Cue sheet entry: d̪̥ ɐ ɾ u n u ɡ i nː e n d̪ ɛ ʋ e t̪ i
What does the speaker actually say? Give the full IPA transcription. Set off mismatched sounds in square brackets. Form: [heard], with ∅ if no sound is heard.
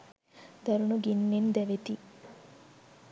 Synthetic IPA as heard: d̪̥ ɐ ɾ u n u ɡ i nː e n d̪ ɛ ʋ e t̪ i